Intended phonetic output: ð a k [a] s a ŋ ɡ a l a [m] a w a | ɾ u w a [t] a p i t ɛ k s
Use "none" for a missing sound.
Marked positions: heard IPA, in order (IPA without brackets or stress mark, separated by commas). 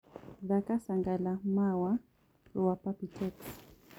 a, m, p